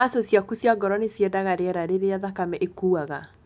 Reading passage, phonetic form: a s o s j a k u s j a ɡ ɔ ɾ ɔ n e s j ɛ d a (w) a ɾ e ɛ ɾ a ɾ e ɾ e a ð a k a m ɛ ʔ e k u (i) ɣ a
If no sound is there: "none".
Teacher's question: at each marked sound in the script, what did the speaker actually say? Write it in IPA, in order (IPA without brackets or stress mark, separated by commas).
ɣ, a